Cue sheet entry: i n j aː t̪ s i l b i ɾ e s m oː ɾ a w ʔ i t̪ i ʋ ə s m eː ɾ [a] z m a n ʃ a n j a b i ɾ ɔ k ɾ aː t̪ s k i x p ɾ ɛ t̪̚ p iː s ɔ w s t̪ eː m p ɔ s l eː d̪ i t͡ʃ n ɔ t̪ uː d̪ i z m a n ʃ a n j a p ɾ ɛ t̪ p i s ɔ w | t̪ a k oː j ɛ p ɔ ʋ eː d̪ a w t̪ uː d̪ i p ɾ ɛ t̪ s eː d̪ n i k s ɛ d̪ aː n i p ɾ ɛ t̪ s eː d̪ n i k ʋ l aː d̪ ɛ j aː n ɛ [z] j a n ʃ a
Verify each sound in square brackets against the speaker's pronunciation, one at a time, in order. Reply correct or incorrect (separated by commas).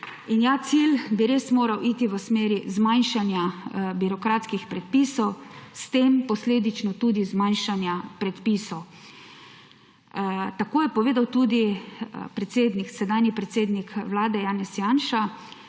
incorrect, incorrect